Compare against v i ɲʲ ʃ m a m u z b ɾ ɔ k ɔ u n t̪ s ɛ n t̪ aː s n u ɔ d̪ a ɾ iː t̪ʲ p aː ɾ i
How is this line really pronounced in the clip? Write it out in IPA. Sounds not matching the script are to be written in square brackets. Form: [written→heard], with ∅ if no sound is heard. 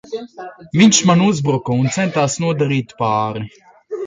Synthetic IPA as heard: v i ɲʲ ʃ m a [m→n] u z b ɾ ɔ k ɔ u n t̪ s ɛ n t̪ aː s n u ɔ d̪ a ɾ iː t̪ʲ p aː ɾ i